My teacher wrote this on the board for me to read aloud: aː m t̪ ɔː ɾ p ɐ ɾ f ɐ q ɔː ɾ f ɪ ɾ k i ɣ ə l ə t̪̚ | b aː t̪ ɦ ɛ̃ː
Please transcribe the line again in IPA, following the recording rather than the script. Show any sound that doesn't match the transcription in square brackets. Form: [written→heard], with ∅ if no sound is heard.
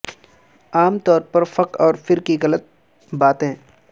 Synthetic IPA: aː m t̪ ɔː ɾ p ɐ ɾ f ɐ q ɔː ɾ f ɪ ɾ k i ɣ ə l ə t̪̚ | b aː t̪ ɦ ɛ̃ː